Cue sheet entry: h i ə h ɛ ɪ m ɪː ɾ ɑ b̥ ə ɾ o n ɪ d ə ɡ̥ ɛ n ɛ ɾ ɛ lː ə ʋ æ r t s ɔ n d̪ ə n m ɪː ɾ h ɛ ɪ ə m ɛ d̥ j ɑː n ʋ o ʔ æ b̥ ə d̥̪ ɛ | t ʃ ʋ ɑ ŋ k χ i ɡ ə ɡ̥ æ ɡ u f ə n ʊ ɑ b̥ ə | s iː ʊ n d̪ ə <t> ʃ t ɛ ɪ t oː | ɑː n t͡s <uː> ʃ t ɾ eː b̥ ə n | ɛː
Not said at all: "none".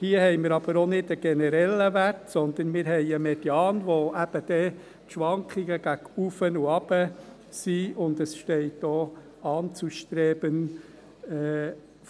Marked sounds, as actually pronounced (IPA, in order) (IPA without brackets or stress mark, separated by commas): s, u